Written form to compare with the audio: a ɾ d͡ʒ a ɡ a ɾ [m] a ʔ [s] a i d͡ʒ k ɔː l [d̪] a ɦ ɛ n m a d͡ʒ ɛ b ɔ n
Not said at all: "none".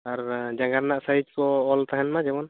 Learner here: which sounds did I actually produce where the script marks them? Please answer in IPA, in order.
n, s, t̪

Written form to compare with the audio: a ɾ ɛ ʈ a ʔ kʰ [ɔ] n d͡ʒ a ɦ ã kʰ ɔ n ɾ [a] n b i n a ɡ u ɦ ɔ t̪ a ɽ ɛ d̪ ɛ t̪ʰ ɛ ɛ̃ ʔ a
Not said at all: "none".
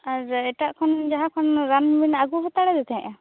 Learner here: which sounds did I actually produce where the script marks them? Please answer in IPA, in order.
ɔ, a

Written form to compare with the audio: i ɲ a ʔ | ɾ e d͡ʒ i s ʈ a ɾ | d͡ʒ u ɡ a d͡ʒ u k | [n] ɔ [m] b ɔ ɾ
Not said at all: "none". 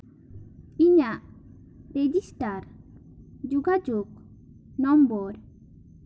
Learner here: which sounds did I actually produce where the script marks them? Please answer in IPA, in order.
n, m

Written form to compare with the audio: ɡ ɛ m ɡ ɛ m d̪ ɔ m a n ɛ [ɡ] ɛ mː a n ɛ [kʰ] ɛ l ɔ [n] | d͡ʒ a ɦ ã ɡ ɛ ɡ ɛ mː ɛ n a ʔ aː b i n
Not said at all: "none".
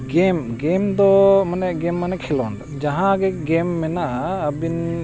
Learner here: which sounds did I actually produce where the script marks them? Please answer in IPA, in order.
ɡ, kʰ, n

